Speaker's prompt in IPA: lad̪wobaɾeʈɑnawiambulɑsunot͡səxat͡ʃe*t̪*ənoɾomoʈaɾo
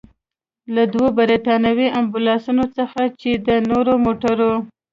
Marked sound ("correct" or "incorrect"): incorrect